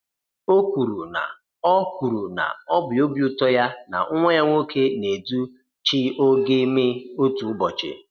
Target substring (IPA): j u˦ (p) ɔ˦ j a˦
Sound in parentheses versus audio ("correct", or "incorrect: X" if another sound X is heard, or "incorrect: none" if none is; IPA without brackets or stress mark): incorrect: t